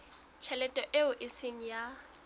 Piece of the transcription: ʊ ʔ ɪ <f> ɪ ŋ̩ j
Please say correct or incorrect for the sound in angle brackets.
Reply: incorrect: s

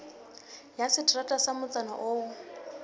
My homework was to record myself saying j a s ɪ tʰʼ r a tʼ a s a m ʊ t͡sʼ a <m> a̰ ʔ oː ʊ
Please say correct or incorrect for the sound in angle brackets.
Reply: incorrect: n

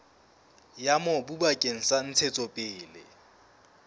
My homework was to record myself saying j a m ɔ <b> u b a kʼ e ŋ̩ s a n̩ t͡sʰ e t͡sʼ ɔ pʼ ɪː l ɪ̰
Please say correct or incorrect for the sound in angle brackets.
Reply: correct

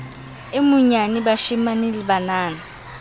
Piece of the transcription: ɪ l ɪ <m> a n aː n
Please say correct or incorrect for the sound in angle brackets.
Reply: incorrect: b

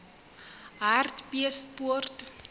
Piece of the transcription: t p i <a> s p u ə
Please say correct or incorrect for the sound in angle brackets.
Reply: incorrect: ə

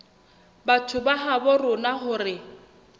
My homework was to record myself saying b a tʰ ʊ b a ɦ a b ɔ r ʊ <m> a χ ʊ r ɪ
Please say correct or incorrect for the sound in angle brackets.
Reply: incorrect: n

